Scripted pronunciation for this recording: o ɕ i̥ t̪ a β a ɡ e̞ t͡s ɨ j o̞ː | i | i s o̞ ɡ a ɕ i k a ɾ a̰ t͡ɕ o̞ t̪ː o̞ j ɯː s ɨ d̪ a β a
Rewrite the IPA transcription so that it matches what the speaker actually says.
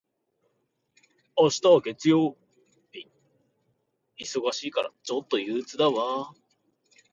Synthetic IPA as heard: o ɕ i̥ t̪ a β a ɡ e̞ t͡s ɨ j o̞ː | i | i s o̞ ɡ a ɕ iː k a ɾ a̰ t͡ɕ o̞ t̪ː o̞ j ɯː t͡s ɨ d̪ a β a